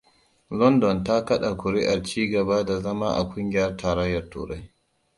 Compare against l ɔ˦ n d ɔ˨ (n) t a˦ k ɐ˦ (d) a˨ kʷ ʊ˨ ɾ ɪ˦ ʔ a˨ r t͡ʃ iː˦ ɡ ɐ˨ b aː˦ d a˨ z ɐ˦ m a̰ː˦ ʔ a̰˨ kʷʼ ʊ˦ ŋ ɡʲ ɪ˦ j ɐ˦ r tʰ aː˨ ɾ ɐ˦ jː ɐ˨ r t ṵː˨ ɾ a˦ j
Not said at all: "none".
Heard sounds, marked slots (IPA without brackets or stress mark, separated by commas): n, ɗ